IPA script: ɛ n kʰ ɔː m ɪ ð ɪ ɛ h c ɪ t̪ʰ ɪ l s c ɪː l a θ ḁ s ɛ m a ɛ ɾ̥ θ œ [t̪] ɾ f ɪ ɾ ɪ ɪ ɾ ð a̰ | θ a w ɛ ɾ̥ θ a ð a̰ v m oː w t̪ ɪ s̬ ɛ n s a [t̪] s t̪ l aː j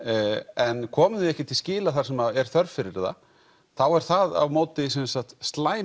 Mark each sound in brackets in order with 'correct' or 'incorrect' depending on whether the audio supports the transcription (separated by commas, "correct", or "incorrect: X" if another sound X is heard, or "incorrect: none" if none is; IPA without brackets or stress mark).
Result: incorrect: none, correct